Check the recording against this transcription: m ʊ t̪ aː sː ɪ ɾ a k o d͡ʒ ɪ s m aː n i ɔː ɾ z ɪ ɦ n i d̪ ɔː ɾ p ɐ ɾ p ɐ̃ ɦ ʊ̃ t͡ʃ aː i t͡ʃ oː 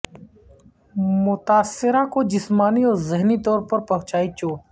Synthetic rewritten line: m ʊ t̪ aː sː ɪ ɾ a k o d͡ʒ ɪ s m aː n i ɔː ɾ z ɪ ɦ n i t̪ ɔː ɾ p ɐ ɾ p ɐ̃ ɦ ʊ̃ t͡ʃ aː i t͡ʃ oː